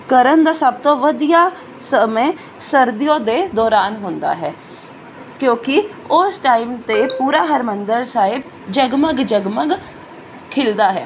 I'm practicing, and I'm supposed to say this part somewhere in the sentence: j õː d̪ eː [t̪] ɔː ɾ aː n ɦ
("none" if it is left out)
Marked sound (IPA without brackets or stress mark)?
d̪